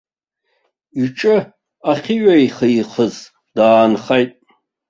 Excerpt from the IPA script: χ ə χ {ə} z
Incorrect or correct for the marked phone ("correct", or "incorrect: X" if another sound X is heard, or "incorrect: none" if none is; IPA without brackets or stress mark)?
correct